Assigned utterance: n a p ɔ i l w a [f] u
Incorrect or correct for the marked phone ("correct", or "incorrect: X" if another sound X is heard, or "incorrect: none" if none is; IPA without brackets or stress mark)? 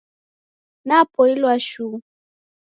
incorrect: ʃ